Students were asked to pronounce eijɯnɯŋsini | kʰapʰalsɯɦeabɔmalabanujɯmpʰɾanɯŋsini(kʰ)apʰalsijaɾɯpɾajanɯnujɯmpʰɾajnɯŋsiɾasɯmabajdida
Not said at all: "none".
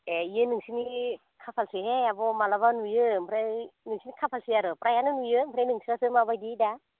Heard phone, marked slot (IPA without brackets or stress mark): kʰ